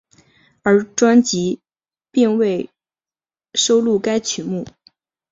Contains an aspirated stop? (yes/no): yes